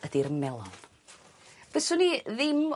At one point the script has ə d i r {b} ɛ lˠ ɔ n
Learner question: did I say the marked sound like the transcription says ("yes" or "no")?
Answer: no